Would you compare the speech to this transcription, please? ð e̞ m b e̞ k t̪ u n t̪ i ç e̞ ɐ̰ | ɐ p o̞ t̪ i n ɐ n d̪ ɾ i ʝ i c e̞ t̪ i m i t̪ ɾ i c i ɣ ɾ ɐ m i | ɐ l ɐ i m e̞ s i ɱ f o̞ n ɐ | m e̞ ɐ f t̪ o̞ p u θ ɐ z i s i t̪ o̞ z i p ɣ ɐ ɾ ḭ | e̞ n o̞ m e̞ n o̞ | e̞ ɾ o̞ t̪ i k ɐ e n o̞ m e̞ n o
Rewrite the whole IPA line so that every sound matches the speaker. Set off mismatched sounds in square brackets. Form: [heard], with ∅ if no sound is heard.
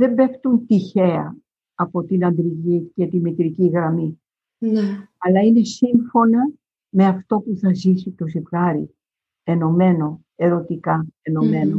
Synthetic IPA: ð e̞ m b e̞ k t̪ u n t̪ i ç e̞ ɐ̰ | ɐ p o̞ t̪ i n ɐ n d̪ ɾ i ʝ i c e̞ t̪ i m i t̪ ɾ i c i ɣ ɾ ɐ m i | ɐ l ɐ i [n] e̞ s i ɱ f o̞ n ɐ | m e̞ ɐ f t̪ o̞ p u θ ɐ z i s i t̪ o̞ z i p ɣ ɐ ɾ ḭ | e̞ n o̞ m e̞ n o̞ | e̞ ɾ o̞ t̪ i k ɐ e n o̞ m e̞ n o